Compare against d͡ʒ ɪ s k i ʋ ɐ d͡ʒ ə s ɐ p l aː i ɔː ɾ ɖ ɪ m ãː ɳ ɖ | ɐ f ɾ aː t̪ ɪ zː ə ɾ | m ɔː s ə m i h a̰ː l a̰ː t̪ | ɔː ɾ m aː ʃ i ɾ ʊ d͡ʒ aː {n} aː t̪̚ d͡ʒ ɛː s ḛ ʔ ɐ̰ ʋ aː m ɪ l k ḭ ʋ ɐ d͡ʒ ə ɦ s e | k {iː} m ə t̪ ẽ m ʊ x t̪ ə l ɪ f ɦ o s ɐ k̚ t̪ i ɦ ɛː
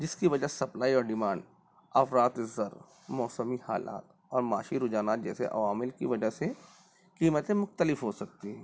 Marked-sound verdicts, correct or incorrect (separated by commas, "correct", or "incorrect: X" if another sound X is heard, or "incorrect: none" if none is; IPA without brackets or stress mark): correct, correct